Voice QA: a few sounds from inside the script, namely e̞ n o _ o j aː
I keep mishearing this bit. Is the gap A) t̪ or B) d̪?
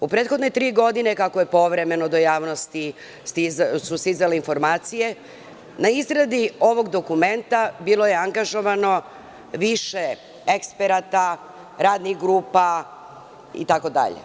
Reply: B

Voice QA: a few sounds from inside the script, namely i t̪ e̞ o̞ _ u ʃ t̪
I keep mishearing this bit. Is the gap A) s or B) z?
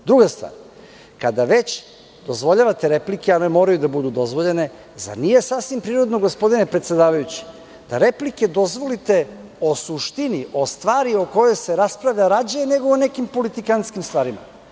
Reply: A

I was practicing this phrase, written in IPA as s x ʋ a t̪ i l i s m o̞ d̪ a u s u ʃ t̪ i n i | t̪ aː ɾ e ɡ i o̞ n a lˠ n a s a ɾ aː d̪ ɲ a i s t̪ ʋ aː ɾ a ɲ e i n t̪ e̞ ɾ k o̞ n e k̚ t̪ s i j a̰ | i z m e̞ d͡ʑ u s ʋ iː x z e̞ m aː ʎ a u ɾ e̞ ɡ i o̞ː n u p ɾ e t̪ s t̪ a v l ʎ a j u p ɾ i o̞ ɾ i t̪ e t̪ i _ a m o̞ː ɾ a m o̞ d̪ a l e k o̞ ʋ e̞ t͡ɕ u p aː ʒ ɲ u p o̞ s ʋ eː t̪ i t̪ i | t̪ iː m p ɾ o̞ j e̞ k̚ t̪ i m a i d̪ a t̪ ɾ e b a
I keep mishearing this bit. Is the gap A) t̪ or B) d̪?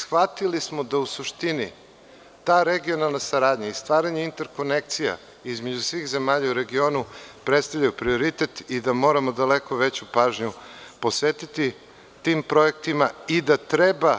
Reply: B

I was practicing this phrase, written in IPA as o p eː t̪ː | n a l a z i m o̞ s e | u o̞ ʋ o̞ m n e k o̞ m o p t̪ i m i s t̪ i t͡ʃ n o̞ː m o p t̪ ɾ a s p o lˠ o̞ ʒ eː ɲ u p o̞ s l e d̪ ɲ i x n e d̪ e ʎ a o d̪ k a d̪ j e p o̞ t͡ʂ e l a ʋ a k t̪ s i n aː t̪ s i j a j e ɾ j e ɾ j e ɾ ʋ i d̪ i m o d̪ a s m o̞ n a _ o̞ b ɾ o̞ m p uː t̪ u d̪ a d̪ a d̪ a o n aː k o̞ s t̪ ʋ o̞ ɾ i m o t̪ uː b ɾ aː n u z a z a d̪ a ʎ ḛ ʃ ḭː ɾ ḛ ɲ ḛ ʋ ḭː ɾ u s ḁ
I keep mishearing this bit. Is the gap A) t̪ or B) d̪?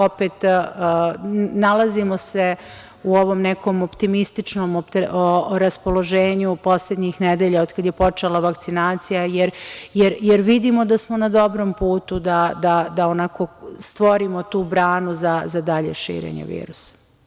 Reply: B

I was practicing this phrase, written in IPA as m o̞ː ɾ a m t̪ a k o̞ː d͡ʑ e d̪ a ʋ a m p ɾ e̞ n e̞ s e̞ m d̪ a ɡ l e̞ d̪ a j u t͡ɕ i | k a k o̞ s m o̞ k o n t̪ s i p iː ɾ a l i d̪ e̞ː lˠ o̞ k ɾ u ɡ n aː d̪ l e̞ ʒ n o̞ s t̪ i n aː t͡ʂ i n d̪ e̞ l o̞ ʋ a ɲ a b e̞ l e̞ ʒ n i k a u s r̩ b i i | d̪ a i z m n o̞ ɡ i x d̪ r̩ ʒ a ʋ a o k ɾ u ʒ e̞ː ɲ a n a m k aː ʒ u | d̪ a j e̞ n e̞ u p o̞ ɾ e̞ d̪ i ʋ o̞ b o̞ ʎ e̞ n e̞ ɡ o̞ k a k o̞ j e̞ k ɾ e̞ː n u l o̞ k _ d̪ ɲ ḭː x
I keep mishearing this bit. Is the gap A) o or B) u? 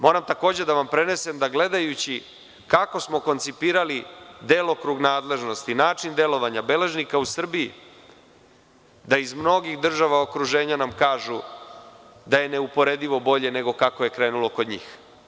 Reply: A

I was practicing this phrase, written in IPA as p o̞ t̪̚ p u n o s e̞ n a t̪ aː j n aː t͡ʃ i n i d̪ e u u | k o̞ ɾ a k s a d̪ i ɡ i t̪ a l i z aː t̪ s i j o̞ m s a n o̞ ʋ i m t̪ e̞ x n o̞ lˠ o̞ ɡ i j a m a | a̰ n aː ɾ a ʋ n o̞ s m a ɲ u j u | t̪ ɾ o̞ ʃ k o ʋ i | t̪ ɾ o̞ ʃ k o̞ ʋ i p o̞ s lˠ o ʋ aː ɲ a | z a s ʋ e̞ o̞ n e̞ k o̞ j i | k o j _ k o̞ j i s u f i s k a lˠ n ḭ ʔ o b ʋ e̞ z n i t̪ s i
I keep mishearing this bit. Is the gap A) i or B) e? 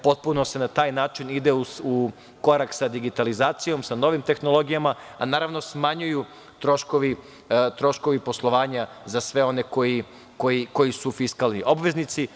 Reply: A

